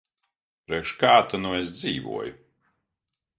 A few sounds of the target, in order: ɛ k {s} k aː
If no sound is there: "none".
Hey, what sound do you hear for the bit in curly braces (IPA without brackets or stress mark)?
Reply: ʃ